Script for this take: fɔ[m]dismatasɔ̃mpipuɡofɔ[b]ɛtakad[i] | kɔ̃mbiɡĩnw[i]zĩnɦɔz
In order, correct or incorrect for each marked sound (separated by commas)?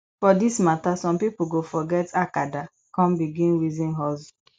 incorrect, incorrect, incorrect, correct